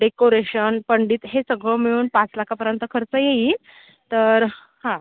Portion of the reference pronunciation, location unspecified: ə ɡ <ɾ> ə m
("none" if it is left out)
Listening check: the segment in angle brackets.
ɭ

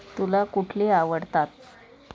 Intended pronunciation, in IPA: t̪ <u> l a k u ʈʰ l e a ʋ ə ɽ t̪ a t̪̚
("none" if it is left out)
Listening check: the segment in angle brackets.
u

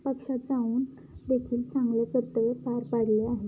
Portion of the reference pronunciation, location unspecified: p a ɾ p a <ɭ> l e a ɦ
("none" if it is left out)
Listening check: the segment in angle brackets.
ɽ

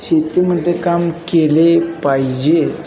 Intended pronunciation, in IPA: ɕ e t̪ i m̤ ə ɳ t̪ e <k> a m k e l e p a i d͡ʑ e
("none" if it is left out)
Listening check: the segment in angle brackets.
k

